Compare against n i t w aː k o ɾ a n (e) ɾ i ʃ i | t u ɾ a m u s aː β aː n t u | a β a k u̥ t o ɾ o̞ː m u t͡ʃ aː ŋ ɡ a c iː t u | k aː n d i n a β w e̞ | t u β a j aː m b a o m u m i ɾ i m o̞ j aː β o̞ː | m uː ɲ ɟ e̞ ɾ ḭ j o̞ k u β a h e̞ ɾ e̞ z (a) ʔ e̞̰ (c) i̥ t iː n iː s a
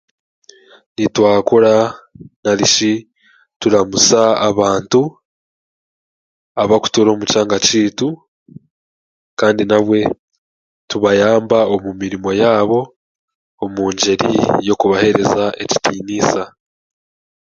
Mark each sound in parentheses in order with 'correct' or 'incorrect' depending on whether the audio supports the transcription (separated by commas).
incorrect, correct, correct